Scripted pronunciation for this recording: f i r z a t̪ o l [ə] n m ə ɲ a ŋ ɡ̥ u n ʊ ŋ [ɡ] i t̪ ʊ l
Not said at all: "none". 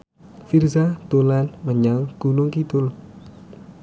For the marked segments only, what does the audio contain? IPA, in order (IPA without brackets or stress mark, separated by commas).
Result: a, k